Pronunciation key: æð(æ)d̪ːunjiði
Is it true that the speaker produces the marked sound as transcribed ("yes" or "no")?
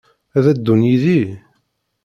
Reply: yes